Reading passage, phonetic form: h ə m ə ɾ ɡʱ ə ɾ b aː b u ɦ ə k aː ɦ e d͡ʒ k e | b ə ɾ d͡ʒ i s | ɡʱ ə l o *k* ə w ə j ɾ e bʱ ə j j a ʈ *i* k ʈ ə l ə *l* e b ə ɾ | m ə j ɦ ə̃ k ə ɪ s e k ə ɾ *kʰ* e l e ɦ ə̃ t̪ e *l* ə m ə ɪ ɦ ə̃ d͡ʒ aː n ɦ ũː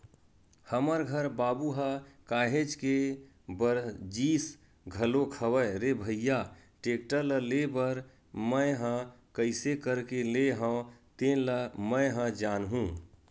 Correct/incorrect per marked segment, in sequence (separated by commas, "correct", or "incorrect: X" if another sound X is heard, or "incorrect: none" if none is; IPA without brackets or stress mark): incorrect: kʰ, incorrect: e, correct, incorrect: k, correct